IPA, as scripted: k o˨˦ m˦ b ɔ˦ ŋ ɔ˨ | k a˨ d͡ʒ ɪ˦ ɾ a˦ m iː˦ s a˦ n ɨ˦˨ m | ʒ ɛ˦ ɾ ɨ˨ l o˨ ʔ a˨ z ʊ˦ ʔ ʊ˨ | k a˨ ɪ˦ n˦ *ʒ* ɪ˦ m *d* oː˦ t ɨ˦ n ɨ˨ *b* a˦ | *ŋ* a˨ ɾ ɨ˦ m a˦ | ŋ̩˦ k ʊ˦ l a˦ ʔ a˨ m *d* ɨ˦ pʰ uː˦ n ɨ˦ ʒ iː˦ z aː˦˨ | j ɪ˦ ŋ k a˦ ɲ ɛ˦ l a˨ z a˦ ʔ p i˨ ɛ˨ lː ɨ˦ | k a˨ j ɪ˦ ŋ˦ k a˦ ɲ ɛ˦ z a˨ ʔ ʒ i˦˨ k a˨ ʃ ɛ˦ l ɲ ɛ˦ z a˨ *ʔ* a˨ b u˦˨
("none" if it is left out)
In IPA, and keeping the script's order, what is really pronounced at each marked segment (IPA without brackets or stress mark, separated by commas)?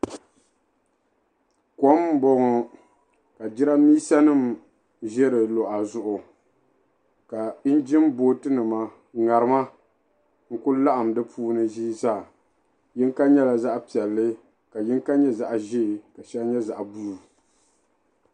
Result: d͡ʒ, b, m, ŋ, d, ʔ